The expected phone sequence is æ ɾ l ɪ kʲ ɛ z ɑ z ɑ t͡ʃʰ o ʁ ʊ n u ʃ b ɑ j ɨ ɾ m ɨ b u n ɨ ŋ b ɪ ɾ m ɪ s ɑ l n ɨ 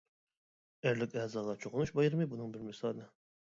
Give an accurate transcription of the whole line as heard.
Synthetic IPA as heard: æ ɾ l ɪ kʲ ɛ z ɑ ʁ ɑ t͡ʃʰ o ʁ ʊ n u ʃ b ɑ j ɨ ɾ m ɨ b u n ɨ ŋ b ɪ ɾ m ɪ s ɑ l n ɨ

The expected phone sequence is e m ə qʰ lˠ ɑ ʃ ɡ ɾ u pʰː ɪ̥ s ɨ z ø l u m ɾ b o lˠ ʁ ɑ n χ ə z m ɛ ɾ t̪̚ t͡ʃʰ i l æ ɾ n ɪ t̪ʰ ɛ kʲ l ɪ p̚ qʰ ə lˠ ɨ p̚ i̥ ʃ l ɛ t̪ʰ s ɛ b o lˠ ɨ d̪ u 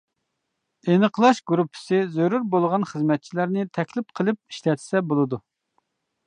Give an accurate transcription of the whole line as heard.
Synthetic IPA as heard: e n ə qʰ lˠ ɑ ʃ ɡ ɾ u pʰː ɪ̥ s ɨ z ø ɾ u ɾ b o lˠ ʁ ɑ n χ ə z m ɛ t̪̚ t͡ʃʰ i l æ ɾ n ɪ t̪ʰ ɛ kʲ l ɪ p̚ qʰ ə lˠ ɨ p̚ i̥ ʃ l ɛ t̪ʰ s ɛ b o lˠ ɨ d̪ u

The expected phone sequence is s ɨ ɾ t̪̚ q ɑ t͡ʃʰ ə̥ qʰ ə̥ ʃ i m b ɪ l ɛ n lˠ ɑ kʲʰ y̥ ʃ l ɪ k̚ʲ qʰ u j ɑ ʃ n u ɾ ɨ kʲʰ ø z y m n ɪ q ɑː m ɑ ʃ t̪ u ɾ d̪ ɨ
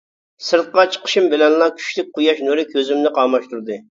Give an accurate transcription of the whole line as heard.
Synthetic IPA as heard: s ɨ ɾ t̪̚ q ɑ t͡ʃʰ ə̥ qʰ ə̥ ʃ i m b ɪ l ɛ n lˠ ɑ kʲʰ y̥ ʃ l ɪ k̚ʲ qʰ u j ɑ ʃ n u ɾ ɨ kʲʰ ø z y m n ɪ q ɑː m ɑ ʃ t̪ u ɾ d̪ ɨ

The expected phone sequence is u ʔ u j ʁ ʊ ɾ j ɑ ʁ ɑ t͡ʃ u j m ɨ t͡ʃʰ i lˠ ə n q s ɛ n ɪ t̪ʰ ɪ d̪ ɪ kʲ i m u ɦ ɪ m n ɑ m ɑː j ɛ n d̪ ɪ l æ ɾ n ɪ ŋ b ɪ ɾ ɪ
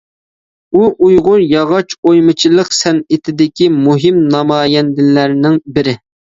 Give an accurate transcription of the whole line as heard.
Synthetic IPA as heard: u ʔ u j ʁ ʊ ɾ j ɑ ʁ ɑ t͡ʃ o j m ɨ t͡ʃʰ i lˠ ə q s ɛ n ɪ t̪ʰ ɪ d̪ ɪ kʲ i m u ɦ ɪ m n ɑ m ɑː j ɛ n d̪ ɪ l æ ɾ n ɪ ŋ b ɪ ɾ ɪ

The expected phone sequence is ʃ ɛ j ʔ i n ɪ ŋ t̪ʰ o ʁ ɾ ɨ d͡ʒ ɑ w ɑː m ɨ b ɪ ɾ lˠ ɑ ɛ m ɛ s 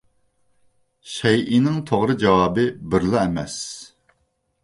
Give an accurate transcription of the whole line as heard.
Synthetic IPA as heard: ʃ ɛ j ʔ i n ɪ ŋ t̪ʰ o ʁ ɾ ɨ d͡ʒ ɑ w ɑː b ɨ b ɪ ɾ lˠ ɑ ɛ m ɛ s

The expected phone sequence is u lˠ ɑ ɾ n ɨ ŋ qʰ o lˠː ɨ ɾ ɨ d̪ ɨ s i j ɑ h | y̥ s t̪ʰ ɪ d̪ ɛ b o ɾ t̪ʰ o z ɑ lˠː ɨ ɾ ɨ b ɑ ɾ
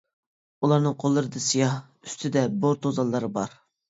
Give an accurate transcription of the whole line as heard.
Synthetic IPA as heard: u lˠ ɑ ɾ n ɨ ŋ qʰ o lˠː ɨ ɾ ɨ d̪ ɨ s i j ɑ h | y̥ s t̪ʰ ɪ d̪ ɛ b o ɾ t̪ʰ o z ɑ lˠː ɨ ɾ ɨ b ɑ ɾ

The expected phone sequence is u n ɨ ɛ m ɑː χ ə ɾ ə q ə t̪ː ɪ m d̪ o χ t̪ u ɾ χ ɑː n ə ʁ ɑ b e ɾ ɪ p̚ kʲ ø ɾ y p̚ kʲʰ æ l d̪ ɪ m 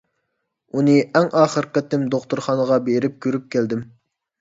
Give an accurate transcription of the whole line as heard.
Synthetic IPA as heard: u n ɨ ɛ ŋ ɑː χ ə ɾ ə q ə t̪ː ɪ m d̪ o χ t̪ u ɾ χ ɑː n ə ʁ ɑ b e ɾ ɪ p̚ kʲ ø ɾ y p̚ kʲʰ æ l d̪ ɪ m

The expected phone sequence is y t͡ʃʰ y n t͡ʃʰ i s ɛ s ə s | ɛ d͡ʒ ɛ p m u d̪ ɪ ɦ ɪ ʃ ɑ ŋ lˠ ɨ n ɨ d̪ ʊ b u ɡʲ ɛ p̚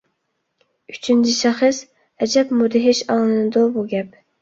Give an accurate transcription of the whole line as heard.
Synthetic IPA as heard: y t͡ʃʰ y n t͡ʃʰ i ʃ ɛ χ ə s | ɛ d͡ʒ ɛ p m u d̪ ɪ ɦ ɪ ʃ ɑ ŋ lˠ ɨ n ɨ d̪ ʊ b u ɡʲ ɛ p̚

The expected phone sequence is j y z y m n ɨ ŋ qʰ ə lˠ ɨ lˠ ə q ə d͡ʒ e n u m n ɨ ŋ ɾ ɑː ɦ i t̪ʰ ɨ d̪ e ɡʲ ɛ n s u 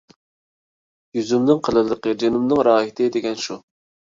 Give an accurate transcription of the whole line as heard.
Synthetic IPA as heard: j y z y m n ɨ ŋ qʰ ə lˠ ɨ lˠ ə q ə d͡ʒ e n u m n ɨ ŋ ɾ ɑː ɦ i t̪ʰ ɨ d̪ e ɡʲ ɛ n ʃ u

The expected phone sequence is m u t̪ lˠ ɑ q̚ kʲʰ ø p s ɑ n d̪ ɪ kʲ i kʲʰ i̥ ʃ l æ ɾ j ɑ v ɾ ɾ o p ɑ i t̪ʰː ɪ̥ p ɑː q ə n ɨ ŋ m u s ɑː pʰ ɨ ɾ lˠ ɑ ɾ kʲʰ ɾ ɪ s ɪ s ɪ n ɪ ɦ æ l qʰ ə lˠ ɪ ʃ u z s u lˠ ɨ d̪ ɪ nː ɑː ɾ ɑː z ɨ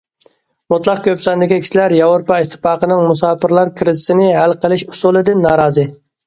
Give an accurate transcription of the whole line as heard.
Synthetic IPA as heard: m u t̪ lˠ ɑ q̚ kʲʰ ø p s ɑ n d̪ ɪ kʲ i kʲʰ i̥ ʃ l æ ɾ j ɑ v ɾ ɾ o p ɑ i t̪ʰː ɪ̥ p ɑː q ə n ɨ ŋ m u s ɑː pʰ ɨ ɾ lˠ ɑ ɾ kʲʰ ɾ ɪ z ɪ s ɪ n ɪ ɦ æ l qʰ ə lˠ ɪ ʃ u s u lˠ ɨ d̪ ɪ nː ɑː ɾ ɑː z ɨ

